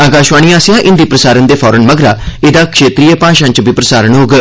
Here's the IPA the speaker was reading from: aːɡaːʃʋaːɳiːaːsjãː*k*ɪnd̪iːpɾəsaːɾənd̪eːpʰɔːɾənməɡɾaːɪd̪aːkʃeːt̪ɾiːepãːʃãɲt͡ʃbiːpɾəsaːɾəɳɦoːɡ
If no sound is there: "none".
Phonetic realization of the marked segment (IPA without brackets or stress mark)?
ʔ